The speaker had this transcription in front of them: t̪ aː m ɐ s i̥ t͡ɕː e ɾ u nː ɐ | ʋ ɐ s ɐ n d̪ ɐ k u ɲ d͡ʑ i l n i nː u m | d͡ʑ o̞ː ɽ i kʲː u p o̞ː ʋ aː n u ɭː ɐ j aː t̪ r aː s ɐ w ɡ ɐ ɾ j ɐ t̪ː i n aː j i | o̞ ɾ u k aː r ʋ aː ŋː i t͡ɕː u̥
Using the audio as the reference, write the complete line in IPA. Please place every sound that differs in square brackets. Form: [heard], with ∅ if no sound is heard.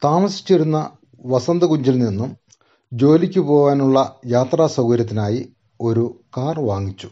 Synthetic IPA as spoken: t̪ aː m ɐ s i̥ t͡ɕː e ɾ u nː ɐ | ʋ ɐ s ɐ n d̪ ɐ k u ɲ d͡ʑ i l n i nː u m | d͡ʑ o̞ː [l] i kʲː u p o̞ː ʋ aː n u ɭː ɐ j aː t̪ r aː s ɐ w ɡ ɐ ɾ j ɐ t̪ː i n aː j i | o̞ ɾ u k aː r ʋ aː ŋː i t͡ɕː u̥